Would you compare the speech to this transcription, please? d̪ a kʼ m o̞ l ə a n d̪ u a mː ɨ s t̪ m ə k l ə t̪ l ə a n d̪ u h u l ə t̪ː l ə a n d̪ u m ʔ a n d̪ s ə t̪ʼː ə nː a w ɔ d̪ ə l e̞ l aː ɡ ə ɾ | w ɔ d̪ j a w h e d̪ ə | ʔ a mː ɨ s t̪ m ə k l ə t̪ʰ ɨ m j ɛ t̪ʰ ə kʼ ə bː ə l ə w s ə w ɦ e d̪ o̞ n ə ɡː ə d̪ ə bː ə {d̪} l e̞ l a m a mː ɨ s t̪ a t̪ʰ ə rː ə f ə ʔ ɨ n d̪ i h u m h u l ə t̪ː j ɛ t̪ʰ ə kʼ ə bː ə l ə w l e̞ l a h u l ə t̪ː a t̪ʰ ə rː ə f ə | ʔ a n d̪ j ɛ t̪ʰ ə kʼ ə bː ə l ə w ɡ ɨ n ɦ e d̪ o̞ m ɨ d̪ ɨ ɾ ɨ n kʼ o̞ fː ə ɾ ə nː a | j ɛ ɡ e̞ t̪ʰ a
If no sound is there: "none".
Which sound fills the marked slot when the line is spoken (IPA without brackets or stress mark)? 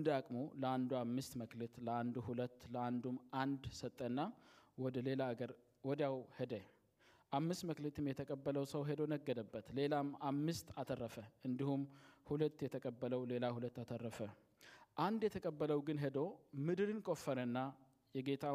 t̪